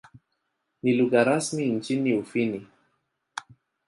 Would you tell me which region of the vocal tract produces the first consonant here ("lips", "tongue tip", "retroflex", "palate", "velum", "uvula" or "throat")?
tongue tip